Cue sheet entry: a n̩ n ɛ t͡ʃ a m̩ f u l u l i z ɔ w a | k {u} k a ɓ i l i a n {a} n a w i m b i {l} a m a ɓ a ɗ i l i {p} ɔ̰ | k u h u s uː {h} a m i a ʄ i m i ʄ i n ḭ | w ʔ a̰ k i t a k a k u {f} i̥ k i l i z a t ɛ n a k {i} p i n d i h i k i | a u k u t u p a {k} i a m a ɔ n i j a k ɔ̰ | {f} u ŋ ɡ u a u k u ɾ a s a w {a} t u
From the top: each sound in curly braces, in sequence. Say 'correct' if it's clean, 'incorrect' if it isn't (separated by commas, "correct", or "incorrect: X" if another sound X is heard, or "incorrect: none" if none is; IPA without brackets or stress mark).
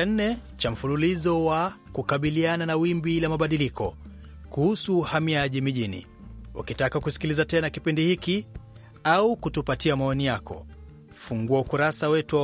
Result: correct, correct, correct, incorrect: k, correct, incorrect: s, correct, incorrect: t, correct, incorrect: ɛ